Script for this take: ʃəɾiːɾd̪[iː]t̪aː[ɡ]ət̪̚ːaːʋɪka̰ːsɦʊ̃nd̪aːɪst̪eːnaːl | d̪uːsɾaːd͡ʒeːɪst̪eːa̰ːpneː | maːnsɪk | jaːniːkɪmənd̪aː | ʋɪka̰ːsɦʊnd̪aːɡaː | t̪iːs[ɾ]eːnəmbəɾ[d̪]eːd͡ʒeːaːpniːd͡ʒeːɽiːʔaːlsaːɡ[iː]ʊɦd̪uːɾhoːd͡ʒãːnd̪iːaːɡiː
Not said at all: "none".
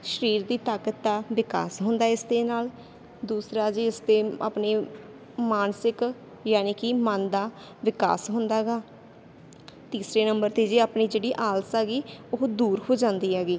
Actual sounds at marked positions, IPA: iː, k, ɾ, t̪, iː

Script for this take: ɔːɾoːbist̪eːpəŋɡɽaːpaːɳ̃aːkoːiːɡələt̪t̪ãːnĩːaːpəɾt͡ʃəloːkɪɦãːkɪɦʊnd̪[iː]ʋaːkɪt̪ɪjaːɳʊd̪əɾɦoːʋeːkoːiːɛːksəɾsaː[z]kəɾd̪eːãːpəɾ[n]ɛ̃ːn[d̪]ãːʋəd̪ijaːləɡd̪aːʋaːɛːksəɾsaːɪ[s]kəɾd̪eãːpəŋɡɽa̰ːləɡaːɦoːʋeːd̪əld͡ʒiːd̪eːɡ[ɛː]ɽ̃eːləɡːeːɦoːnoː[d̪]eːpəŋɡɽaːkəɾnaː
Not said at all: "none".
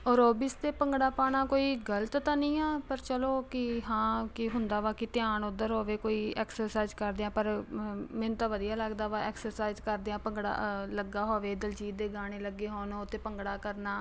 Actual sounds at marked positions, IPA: aː, z, m, t̪, z, aː, t̪

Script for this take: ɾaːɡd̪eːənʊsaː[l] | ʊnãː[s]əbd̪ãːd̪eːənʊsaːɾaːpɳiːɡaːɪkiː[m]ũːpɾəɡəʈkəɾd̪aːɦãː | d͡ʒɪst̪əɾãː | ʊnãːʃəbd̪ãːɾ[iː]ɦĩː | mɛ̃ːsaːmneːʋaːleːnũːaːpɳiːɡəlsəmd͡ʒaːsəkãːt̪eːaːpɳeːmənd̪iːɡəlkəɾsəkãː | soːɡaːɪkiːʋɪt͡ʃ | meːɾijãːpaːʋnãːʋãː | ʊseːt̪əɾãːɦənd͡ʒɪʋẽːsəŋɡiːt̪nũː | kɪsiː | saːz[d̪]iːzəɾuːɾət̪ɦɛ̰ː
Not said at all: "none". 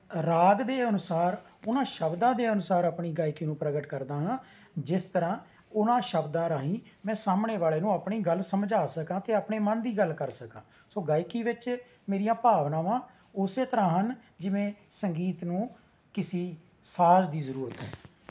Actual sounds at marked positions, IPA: ɾ, ʃ, n, aː, d̪

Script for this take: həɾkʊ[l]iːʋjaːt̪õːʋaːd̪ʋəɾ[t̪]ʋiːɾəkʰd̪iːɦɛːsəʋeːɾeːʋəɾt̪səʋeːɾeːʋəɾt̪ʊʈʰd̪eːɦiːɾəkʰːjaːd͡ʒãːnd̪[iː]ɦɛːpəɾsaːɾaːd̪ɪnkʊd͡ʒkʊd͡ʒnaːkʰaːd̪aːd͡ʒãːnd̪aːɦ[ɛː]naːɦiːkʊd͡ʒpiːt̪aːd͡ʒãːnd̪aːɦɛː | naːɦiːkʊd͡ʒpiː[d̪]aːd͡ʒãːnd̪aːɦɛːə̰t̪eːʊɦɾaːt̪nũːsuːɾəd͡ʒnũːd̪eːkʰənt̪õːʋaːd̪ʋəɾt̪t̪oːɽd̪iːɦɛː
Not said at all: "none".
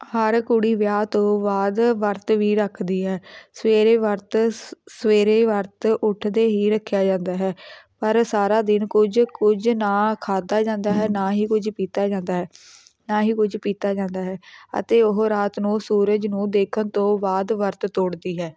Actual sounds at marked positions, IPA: ɽ, t̪, aː, ɛː, t̪

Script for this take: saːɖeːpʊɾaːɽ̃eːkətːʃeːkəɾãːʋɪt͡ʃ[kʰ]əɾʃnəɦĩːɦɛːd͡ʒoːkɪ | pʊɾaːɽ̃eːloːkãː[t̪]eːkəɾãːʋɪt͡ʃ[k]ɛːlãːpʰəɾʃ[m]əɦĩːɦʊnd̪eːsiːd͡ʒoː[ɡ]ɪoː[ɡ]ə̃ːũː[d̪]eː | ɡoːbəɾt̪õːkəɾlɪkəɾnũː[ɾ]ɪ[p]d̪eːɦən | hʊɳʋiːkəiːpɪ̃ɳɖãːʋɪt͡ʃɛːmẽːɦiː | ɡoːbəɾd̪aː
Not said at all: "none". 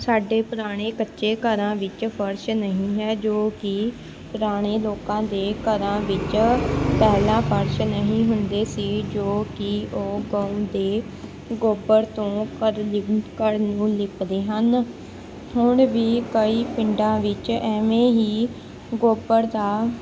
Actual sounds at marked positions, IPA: pʰ, d̪, p, n, k, ɡ, d̪, l, p

